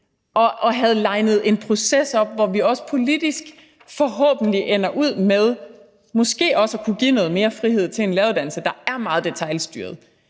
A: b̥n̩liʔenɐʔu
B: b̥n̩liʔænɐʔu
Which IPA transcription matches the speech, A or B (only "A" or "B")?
A